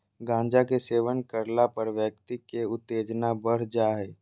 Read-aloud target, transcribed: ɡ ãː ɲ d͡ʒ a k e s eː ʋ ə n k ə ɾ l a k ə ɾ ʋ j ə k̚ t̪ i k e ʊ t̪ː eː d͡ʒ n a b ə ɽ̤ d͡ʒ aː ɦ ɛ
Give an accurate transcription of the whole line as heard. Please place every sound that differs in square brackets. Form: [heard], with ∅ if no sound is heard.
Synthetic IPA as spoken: ɡ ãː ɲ d͡ʒ a k e s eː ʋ ə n k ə ɾ l a [p] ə ɾ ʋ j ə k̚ t̪ i k e ʊ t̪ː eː d͡ʒ n a b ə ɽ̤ d͡ʒ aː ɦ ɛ